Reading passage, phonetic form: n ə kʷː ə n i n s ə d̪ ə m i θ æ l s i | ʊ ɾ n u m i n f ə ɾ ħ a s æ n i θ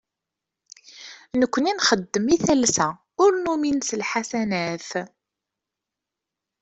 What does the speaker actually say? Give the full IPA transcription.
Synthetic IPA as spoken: n ə kʷː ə n i n χ ə d̪ː ə m i θ æ l s æ | ʊ ɾ n u m i n s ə l ħ a s æ n æ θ